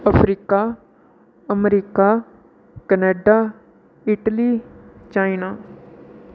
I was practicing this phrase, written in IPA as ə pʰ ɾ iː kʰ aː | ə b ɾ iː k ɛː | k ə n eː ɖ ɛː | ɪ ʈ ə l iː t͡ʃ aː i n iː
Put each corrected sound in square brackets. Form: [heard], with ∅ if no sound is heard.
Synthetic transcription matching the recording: ə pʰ ɾ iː [k] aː | ə [m] ɾ iː k [aː] | k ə n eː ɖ [aː] | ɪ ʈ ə l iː t͡ʃ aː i n [aː]